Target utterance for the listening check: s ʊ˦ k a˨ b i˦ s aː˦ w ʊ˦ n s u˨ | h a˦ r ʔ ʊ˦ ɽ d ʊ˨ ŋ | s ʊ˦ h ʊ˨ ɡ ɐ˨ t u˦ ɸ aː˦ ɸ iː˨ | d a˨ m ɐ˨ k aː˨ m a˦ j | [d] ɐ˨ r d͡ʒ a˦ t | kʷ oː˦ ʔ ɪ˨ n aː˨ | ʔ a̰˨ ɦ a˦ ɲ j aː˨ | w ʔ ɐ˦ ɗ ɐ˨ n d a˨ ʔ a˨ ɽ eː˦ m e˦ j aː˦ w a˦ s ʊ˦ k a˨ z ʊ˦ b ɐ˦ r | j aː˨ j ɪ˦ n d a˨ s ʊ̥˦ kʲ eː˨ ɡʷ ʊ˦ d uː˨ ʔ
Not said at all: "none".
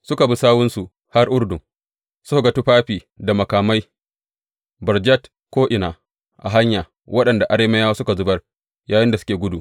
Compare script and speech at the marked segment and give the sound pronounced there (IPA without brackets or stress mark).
b